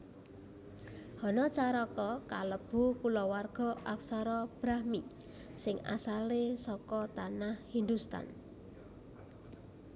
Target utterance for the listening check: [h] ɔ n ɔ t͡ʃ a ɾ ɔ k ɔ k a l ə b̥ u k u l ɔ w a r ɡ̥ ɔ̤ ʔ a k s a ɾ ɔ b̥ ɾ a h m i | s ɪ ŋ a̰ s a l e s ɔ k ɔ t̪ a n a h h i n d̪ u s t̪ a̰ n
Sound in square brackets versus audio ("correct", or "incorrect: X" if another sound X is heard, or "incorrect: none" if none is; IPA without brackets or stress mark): correct